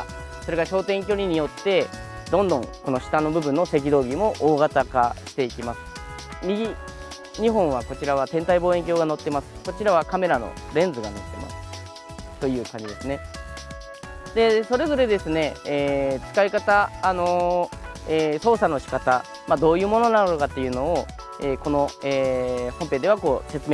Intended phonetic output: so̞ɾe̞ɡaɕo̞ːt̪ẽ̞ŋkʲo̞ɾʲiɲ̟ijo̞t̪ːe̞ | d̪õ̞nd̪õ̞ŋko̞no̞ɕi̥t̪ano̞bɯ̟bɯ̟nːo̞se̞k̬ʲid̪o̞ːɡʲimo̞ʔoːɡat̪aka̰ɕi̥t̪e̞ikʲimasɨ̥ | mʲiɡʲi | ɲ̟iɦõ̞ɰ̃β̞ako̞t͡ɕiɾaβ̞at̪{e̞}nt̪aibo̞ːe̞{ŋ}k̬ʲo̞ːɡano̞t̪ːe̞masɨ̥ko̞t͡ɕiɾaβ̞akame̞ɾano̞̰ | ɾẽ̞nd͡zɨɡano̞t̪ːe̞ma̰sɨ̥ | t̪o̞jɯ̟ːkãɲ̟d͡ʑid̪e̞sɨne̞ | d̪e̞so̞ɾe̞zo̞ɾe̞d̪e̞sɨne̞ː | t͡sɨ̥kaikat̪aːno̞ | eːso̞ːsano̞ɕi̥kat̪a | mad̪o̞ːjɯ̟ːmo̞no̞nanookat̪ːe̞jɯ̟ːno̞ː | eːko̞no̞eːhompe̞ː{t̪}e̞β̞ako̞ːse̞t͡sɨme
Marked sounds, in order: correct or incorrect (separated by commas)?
incorrect, correct, incorrect